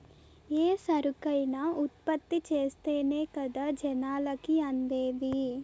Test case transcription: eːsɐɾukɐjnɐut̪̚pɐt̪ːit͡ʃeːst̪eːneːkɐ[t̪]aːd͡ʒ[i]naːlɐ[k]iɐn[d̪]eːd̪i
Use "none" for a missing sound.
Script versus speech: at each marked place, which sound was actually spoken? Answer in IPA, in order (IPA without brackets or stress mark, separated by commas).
d̪, ɛ, k, d̪